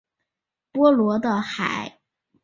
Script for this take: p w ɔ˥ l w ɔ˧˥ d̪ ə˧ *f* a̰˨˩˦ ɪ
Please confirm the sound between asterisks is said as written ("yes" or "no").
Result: no